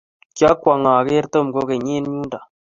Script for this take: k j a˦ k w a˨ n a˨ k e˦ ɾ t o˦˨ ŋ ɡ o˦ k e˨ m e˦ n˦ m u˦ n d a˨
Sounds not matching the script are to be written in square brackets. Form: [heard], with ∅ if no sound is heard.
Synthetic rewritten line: k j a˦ k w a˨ [ŋ] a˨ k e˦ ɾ t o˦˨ [m] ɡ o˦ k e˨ [ɲ] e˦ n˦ [ɲ] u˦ n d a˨